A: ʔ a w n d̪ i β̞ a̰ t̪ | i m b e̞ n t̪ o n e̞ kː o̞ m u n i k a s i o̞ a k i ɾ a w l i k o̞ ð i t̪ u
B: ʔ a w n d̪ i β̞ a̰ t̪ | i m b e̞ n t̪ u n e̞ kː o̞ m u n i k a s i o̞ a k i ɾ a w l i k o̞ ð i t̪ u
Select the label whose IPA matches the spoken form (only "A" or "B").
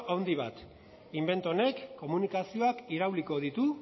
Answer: A